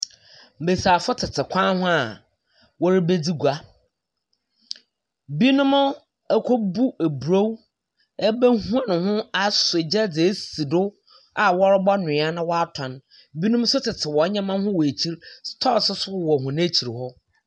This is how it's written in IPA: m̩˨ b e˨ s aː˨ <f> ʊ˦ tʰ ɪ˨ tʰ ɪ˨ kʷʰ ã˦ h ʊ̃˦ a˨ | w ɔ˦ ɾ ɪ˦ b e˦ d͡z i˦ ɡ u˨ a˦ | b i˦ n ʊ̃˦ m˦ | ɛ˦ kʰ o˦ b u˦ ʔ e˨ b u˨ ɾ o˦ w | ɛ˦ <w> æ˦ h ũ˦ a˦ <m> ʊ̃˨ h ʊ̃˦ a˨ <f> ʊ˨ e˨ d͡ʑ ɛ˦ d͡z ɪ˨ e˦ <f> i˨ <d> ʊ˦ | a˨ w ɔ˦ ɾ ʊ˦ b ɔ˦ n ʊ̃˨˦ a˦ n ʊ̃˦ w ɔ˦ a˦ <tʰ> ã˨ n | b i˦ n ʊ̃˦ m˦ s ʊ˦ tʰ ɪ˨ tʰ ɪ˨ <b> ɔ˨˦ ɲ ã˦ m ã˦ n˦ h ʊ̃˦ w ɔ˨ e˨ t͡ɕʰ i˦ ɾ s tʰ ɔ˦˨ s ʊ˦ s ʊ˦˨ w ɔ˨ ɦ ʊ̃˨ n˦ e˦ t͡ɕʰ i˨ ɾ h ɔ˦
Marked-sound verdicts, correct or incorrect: correct, incorrect: b, incorrect: n, incorrect: s, incorrect: s, correct, correct, incorrect: w

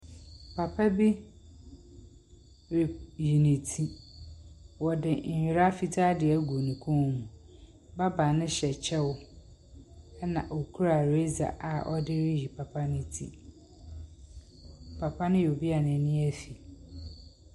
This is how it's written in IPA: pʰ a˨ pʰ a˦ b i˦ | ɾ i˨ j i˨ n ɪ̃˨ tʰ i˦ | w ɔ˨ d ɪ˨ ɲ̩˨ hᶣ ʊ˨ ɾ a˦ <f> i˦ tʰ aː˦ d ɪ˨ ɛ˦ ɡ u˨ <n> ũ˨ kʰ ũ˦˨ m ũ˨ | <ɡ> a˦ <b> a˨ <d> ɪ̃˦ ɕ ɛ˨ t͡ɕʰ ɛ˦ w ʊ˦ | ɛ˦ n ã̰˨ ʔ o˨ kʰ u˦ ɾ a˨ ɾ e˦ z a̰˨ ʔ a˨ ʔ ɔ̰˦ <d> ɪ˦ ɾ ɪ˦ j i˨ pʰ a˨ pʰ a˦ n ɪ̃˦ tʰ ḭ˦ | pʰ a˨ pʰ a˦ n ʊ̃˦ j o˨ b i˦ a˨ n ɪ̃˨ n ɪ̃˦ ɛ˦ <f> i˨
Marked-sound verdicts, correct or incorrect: correct, correct, incorrect: b, correct, incorrect: n, correct, correct

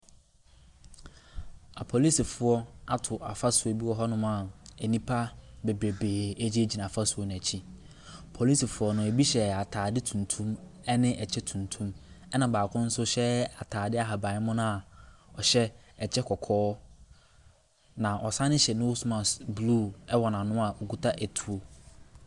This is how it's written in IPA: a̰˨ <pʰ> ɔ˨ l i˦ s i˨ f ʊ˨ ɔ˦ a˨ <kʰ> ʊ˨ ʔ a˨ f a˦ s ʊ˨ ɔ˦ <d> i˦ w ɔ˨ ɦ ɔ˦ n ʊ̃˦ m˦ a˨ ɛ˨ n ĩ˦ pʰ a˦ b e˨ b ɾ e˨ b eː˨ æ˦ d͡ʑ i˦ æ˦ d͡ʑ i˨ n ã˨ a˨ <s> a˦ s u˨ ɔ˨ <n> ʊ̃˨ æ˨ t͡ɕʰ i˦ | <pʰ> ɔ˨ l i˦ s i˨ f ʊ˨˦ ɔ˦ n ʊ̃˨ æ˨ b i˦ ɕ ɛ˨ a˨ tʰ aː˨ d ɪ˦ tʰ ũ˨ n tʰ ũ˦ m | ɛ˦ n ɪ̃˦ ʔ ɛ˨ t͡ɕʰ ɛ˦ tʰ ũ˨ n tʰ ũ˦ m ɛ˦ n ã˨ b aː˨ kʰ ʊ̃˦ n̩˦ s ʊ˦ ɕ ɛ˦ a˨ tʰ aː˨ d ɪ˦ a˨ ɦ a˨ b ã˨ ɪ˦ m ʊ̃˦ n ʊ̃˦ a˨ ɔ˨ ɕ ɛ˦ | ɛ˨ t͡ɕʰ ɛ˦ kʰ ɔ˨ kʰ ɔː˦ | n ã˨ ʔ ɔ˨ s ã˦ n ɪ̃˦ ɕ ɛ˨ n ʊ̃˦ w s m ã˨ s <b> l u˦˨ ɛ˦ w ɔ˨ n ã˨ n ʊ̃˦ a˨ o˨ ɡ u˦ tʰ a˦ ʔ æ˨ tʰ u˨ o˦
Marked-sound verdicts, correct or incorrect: correct, incorrect: tʰ, incorrect: b, incorrect: f, correct, correct, correct

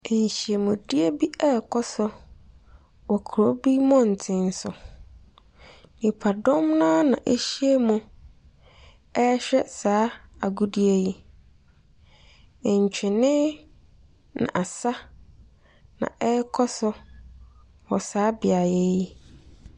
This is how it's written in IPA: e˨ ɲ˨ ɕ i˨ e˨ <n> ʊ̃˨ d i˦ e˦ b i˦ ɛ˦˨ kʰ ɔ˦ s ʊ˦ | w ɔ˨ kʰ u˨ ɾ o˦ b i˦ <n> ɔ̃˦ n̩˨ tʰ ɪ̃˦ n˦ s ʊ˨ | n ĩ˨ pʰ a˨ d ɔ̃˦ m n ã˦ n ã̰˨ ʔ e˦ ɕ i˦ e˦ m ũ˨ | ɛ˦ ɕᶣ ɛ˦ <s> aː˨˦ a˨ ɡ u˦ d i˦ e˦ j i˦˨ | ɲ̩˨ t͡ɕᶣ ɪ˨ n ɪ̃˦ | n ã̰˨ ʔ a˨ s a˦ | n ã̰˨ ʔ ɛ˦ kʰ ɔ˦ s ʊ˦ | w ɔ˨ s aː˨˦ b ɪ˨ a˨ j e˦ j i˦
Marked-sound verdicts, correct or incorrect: incorrect: m, incorrect: m, correct

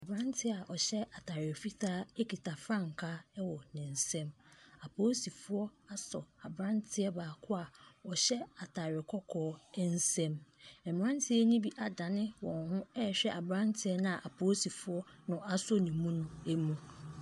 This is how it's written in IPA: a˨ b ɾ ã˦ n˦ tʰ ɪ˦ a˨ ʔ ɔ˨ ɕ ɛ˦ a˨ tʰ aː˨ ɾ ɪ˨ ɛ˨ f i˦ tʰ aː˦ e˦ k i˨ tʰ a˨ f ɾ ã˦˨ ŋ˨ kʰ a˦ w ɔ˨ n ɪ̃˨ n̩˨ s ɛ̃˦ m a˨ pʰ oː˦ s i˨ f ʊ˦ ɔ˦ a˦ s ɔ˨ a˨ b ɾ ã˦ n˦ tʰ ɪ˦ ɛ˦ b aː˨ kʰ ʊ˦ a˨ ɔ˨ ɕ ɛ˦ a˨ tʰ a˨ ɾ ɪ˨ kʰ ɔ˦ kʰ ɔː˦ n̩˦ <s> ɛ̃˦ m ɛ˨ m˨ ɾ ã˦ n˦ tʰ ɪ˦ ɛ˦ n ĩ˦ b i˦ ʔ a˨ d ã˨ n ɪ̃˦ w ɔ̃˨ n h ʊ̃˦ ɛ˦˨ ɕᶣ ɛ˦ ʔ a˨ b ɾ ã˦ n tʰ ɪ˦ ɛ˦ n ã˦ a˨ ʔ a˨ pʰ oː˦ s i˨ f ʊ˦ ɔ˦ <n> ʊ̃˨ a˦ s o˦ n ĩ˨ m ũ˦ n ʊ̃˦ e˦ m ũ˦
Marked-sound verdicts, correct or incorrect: correct, correct

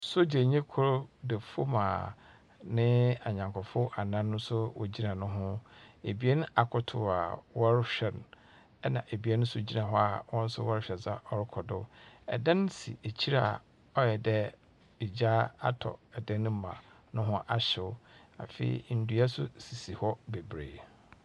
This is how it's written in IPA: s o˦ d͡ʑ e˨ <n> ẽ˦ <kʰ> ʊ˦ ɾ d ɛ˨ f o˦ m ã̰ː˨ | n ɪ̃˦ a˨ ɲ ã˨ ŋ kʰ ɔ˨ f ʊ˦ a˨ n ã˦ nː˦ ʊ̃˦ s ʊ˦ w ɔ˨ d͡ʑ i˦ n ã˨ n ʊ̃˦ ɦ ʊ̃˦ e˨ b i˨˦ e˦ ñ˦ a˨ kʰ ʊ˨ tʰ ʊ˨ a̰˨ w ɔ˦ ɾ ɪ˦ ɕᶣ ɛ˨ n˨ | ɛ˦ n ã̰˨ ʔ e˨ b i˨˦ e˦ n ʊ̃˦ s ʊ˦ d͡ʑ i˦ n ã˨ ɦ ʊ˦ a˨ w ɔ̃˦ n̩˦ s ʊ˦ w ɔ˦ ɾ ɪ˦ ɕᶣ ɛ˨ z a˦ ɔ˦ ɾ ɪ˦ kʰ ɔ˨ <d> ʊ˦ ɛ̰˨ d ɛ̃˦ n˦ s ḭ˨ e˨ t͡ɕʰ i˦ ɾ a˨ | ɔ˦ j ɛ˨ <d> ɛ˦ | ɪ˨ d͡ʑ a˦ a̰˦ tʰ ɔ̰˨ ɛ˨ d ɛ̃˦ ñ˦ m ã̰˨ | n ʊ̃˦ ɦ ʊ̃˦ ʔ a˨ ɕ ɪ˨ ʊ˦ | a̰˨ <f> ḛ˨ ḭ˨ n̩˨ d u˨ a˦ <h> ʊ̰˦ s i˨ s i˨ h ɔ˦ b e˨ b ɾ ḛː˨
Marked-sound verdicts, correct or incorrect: incorrect: ɲ, correct, correct, correct, correct, incorrect: s

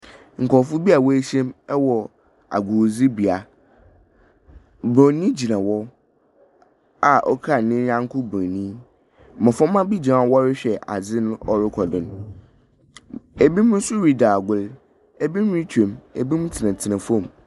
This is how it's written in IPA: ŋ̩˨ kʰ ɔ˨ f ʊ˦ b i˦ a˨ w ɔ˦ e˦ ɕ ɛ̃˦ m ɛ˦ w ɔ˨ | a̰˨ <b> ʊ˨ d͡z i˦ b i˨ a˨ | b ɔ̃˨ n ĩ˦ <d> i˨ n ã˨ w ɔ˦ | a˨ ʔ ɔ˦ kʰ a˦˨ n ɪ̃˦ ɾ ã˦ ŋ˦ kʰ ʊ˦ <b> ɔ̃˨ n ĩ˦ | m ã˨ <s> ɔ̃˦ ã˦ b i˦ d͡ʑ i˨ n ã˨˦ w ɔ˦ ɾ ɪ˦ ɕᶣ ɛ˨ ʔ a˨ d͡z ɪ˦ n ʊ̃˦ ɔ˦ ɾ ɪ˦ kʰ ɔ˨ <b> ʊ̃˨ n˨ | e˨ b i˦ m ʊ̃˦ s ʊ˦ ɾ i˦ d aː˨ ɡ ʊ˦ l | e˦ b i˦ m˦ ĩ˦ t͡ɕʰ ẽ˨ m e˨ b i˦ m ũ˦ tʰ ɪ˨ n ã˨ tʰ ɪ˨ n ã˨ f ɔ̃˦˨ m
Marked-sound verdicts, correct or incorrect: incorrect: ɡ, incorrect: d͡ʑ, correct, incorrect: f, incorrect: d

